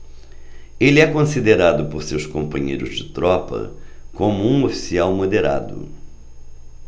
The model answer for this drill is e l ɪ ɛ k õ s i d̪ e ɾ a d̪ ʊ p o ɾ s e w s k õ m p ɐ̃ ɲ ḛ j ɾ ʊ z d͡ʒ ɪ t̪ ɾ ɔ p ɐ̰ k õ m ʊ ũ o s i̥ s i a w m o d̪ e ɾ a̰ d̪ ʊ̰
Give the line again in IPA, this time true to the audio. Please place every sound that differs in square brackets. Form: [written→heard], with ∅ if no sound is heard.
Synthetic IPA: e l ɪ ɛ k õ s i d̪ e ɾ a d̪ ʊ p o ɾ s e w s k õ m p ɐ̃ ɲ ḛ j ɾ ʊ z d͡ʒ ɪ t̪ ɾ ɔ p ɐ̰ k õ m ʊ ũ o [s→f] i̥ s i a w m o d̪ e ɾ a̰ d̪ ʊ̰